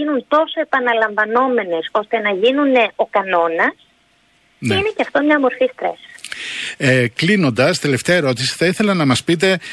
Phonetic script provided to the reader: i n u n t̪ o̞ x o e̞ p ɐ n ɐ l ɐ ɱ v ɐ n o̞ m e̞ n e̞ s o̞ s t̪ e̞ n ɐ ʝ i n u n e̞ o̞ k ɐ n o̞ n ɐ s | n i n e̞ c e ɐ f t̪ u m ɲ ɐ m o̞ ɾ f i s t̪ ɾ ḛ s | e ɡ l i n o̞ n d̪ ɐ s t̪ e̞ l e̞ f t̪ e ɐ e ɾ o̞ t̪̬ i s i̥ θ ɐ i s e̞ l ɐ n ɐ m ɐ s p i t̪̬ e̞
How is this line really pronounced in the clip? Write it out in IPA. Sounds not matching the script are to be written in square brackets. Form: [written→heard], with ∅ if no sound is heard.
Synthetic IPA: i n u n t̪ o̞ [x→s] o e̞ p ɐ n ɐ l ɐ ɱ v ɐ n o̞ m e̞ n e̞ s o̞ s t̪ e̞ n ɐ ʝ i n u n e̞ o̞ k ɐ n o̞ n ɐ s | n i n e̞ c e ɐ f t̪ [u→o] m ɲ ɐ m o̞ ɾ f i s t̪ ɾ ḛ s | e [ɡ→k] l i n o̞ n d̪ ɐ s t̪ e̞ l e̞ f t̪ e ɐ e ɾ o̞ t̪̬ i s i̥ θ ɐ i [s→θ] e̞ l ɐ n ɐ m ɐ s p i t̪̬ e̞